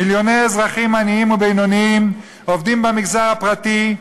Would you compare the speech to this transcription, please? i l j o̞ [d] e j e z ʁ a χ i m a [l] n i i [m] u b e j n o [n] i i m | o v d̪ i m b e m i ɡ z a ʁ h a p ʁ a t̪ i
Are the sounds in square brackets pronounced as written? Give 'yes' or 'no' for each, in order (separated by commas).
no, no, yes, yes